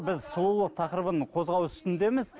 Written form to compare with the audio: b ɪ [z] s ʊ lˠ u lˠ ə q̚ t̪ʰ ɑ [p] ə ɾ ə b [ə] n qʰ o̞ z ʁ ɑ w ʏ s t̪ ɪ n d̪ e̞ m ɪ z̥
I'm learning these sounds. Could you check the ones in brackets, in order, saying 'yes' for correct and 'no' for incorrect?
yes, no, yes

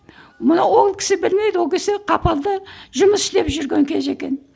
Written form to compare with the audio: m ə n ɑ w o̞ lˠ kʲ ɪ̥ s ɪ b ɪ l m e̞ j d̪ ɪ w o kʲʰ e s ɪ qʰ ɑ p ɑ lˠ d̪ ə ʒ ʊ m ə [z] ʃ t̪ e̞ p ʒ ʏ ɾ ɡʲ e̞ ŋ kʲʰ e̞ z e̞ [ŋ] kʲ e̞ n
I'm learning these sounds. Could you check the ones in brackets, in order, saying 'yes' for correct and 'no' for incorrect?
no, no

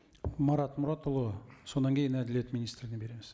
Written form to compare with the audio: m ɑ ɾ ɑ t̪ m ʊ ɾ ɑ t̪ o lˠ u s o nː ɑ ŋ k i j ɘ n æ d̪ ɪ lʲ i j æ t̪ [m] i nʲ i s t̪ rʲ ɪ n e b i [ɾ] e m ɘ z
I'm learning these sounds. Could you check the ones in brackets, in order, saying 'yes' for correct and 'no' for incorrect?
yes, yes

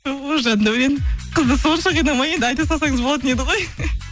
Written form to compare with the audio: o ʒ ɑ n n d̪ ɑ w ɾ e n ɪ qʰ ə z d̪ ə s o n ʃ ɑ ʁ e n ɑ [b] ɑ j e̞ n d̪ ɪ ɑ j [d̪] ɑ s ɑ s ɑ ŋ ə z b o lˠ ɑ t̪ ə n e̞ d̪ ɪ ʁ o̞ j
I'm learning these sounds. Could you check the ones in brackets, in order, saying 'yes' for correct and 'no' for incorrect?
no, no

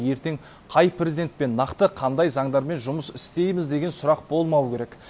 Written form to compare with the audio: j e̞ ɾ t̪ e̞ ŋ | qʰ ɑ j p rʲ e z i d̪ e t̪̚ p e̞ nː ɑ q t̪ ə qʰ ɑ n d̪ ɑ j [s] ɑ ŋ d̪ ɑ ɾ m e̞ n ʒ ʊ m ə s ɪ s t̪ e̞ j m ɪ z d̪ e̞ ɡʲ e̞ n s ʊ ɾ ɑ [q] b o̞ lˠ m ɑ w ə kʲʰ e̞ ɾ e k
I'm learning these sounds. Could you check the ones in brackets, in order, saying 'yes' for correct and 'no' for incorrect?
no, yes

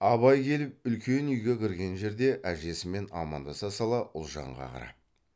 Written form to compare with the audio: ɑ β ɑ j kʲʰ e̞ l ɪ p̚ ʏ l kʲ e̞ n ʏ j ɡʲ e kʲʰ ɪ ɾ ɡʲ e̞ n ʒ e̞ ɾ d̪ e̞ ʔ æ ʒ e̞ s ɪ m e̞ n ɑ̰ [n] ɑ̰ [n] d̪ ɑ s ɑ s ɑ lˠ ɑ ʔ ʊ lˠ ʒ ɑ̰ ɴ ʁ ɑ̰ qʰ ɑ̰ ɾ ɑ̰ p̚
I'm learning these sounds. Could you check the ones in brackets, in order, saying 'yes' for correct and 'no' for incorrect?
no, yes

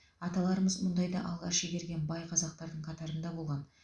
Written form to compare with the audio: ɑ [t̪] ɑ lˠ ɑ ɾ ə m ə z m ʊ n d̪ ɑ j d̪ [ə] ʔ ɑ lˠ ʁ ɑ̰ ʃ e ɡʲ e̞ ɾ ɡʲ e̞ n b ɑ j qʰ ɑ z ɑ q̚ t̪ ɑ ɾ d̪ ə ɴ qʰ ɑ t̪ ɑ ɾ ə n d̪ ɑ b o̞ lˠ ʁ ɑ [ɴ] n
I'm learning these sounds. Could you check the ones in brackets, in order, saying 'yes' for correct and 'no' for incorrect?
yes, no, no

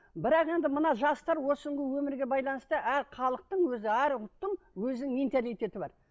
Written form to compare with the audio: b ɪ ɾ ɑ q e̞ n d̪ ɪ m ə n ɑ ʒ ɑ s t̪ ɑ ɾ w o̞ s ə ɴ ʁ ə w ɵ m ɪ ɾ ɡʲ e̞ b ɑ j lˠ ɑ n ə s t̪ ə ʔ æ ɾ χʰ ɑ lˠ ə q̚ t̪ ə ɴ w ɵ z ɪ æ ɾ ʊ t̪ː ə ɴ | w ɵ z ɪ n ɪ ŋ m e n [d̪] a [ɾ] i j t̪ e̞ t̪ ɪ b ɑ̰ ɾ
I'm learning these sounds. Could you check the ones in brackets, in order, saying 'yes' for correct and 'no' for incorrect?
no, no

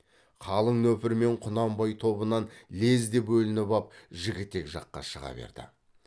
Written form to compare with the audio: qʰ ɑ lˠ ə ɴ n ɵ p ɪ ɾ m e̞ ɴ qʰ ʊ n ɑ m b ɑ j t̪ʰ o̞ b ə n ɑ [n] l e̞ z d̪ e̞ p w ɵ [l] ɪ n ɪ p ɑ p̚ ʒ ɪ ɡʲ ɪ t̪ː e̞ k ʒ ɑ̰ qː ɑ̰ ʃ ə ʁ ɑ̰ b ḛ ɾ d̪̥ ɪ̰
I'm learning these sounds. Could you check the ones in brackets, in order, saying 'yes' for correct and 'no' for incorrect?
yes, yes

